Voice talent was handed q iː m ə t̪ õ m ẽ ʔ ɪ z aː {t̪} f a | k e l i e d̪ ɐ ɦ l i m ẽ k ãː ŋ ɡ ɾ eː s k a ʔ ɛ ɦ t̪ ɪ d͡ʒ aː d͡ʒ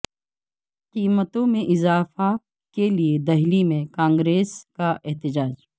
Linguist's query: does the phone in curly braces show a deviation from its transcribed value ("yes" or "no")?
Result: yes